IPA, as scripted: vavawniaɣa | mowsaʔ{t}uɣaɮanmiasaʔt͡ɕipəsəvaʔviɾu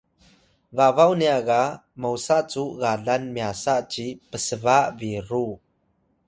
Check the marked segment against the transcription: incorrect: t͡s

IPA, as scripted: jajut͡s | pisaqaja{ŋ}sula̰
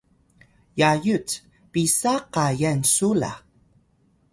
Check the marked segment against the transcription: incorrect: n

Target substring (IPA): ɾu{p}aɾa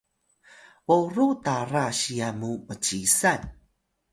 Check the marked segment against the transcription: incorrect: t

